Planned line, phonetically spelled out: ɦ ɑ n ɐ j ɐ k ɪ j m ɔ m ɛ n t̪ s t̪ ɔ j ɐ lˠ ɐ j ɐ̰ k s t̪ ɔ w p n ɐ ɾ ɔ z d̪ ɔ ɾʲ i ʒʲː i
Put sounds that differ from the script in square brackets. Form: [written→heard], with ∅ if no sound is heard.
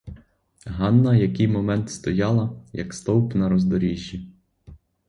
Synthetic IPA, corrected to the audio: ɦ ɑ [n→nː] ɐ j ɐ k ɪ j m ɔ m ɛ n t̪ s t̪ ɔ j [ɐ→ɑ] lˠ ɐ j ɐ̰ k s t̪ ɔ w p n ɐ ɾ ɔ z d̪ ɔ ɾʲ i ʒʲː i